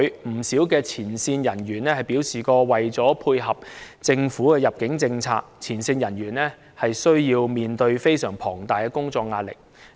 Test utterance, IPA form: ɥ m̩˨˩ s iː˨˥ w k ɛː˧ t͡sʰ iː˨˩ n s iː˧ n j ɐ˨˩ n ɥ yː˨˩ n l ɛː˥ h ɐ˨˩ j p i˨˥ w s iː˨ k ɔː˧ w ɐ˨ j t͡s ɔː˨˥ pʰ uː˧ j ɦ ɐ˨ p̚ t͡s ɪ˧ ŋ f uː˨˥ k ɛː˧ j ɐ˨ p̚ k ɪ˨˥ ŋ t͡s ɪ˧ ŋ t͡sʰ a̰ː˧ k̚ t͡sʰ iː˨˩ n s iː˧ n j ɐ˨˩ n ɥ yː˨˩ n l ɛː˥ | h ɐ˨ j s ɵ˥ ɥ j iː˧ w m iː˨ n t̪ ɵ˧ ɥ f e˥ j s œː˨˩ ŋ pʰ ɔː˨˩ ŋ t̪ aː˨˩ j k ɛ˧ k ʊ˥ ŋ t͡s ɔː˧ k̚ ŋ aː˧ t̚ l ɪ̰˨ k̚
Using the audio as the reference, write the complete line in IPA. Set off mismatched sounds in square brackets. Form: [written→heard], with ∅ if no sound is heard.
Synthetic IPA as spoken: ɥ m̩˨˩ s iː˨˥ w k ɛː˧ t͡sʰ iː˨˩ n s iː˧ n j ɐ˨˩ n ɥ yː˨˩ n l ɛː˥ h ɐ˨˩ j p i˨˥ w s iː˨ k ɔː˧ w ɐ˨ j t͡s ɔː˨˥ pʰ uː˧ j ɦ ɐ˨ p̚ t͡s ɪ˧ ŋ f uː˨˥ k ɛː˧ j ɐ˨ p̚ k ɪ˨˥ ŋ t͡s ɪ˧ ŋ t͡sʰ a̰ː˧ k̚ t͡sʰ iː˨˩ n s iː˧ n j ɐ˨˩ n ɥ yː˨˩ n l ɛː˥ | h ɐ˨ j s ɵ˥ ɥ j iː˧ w m iː˨ n t̪ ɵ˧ ɥ f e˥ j s œː˨˩ ŋ pʰ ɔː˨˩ ŋ t̪ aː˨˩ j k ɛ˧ k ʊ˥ ŋ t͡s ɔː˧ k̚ ŋ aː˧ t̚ l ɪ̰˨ k̚